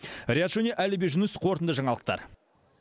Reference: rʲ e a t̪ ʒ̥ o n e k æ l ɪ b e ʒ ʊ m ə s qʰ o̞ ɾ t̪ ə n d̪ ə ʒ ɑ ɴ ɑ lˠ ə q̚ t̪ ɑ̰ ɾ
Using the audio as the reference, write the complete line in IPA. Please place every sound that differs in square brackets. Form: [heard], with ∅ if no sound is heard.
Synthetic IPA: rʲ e a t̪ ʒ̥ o n e [ʔ] æ l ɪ b e ʒ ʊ [n] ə s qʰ o̞ ɾ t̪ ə n d̪ ə ʒ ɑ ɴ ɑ lˠ ə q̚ t̪ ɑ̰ ɾ